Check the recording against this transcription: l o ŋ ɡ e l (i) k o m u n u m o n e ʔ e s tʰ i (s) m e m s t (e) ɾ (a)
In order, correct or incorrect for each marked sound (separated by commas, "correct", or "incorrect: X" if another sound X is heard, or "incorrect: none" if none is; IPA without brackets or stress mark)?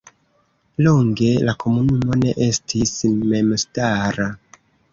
incorrect: a, correct, incorrect: a, correct